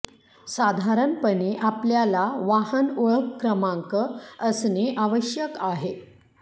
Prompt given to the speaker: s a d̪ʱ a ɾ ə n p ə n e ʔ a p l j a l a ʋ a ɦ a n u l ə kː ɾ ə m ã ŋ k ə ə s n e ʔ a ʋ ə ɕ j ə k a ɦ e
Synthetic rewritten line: s a d̪ʱ a ɾ ə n p ə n e ʔ a p l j a l a ʋ a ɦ ə n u ɭ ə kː ɾ ə m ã ŋ k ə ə s n e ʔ a ʋ ə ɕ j ə k a ɦ e